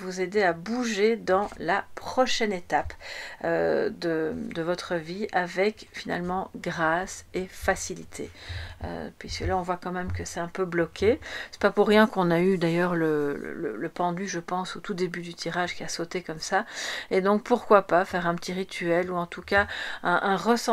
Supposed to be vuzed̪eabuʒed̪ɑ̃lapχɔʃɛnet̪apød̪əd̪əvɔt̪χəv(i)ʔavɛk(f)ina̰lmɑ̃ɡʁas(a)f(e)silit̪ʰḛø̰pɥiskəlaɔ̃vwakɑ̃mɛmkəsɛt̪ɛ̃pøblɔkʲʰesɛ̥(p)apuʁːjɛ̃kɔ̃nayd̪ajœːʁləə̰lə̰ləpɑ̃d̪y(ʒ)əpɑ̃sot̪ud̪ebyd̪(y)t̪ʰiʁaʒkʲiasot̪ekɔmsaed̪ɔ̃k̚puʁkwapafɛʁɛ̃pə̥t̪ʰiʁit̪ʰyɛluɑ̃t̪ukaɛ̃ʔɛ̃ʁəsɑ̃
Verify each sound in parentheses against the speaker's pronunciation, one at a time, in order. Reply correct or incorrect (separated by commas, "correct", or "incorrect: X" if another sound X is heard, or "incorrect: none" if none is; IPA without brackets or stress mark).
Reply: correct, correct, incorrect: e, incorrect: a, correct, correct, correct